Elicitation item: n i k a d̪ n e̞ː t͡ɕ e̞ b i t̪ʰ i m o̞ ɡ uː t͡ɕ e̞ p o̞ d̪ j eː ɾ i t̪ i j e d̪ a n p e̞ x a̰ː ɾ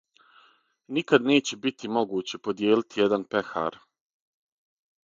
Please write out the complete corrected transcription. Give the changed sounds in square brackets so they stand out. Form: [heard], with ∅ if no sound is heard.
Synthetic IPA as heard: n i k a d̪ n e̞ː t͡ɕ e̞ b i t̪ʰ i m o̞ ɡ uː t͡ɕ e̞ p o̞ d̪ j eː [l] i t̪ i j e d̪ a n p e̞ x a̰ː ɾ